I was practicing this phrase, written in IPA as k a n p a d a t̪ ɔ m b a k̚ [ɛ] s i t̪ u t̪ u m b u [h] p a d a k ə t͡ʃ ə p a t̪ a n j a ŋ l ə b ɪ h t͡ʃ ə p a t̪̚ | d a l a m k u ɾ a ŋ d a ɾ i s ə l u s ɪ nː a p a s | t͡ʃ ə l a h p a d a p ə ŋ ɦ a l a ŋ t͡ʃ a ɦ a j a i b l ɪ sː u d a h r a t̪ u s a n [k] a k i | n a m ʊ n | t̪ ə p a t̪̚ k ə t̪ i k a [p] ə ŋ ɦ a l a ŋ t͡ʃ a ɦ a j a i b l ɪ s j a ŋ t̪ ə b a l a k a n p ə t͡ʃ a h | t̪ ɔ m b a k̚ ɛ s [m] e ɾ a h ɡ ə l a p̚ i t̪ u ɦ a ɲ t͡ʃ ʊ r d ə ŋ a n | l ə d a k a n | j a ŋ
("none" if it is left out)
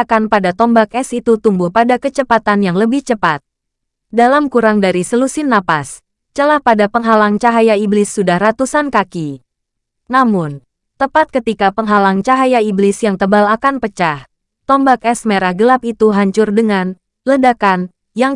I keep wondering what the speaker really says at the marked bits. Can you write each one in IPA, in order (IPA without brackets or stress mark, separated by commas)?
ɛ, h, k, p, m